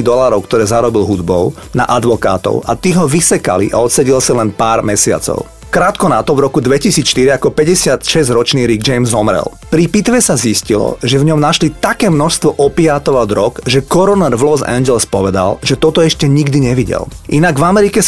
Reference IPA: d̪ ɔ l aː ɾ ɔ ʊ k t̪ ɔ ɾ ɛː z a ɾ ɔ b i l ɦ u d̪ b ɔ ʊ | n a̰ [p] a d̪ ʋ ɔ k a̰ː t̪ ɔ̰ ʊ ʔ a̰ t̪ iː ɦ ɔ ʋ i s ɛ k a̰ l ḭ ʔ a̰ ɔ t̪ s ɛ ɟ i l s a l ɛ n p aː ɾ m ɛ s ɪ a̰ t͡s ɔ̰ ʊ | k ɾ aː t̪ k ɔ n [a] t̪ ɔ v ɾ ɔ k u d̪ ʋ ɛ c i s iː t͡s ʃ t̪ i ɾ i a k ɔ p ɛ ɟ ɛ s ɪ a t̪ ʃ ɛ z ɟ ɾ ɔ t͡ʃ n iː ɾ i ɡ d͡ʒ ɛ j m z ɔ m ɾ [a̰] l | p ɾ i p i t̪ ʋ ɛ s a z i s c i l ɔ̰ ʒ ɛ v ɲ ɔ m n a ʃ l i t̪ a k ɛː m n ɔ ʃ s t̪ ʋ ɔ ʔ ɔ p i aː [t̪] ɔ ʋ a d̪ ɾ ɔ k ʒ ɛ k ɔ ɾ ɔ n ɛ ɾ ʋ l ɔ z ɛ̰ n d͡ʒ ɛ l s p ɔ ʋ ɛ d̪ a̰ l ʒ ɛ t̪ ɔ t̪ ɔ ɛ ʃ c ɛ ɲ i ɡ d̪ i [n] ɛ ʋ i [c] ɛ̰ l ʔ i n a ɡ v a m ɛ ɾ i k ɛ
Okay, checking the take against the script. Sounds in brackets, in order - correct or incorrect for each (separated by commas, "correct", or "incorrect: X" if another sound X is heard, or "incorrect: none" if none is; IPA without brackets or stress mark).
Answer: incorrect: ʔ, correct, incorrect: ɛ̰, correct, incorrect: ɲ, incorrect: ɟ